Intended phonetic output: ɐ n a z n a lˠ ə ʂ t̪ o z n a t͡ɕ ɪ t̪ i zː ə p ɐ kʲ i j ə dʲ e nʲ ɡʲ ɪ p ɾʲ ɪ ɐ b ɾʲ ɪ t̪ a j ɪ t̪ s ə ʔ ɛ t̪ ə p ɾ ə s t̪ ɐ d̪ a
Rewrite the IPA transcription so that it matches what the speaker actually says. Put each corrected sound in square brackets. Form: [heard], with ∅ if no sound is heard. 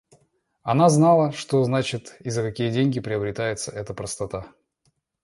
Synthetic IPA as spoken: ɐ n a z n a lˠ ə ʂ t̪ o z n a t͡ɕ ɪ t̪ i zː ə [k] ɐ kʲ i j ə dʲ e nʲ ɡʲ ɪ p ɾʲ ɪ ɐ b ɾʲ ɪ t̪ a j ɪ t̪ s ə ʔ ɛ t̪ ə p ɾ ə s t̪ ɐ [t̪] a